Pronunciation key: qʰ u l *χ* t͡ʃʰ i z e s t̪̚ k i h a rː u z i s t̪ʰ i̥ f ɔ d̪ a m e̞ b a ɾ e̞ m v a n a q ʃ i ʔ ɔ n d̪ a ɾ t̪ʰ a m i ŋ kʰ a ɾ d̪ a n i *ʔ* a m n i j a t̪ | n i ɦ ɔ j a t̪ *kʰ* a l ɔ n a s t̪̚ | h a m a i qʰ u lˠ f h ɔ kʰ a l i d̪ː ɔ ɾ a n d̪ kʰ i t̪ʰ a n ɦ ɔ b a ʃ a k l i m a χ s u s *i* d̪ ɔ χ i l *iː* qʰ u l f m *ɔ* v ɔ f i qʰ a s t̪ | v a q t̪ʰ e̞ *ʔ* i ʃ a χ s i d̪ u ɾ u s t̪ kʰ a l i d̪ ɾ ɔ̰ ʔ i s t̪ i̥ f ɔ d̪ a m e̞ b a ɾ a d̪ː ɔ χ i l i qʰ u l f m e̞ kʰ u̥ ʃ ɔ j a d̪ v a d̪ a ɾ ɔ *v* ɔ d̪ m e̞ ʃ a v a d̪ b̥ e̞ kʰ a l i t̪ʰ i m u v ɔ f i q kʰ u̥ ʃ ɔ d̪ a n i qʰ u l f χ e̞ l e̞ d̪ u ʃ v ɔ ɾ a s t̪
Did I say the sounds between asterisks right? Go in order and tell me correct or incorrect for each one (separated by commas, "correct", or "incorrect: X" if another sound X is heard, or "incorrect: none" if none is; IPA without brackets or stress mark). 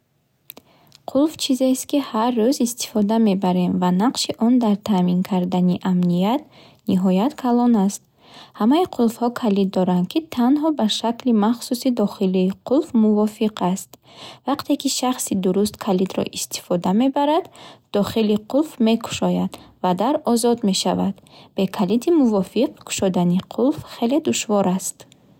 incorrect: f, correct, correct, correct, correct, incorrect: u, incorrect: k, incorrect: z